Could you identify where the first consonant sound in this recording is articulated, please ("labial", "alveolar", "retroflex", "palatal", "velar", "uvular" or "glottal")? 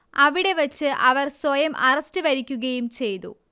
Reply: labial